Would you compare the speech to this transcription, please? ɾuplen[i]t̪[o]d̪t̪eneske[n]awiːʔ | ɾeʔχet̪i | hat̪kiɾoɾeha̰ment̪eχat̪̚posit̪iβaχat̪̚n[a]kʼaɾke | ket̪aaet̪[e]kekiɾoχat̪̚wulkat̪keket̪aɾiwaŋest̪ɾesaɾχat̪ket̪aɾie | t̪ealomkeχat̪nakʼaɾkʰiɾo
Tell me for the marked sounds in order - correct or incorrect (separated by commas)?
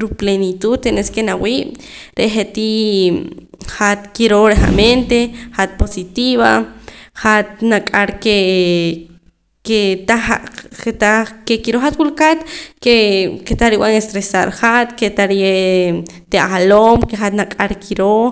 correct, incorrect, correct, correct, incorrect